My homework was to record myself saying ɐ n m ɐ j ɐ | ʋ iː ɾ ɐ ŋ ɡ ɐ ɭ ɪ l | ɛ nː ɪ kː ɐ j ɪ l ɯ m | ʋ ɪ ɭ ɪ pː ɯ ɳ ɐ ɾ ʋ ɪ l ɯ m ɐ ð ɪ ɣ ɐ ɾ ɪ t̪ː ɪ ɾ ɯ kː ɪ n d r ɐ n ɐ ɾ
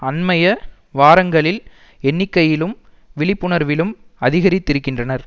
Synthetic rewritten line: ɐ n m ɐ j ɐ | ʋ aː ɾ ɐ ŋ ɡ ɐ ɭ ɪ l | ɛ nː ɪ kː ɐ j ɪ l ɯ m | ʋ ɪ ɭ ɪ pː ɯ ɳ ɐ ɾ ʋ ɪ l ɯ m ɐ ð ɪ ɣ ɐ ɾ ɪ t̪ː ɪ ɾ ɯ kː ɪ n d r ɐ n ɐ ɾ